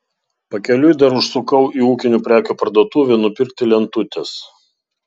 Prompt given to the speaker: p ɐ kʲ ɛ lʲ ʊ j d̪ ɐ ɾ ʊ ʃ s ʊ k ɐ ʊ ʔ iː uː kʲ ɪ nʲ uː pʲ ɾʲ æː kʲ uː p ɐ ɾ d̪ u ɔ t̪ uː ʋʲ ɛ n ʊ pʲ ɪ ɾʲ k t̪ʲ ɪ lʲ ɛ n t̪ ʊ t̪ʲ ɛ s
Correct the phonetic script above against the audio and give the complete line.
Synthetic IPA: p ɐ kʲ ɛ lʲ ʊ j d̪ ɐ ɾ ʊ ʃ s ʊ k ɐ ʊ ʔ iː uː kʲ ɪ nʲ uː pʲ ɾʲ æː kʲ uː p ɐ ɾ d̪ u ɔ t̪ uː ʋʲ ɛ n ʊ pʲ ɪ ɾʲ k t̪ʲ ɪ lʲ ɛ n t̪ ʊ t̪ʲ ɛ s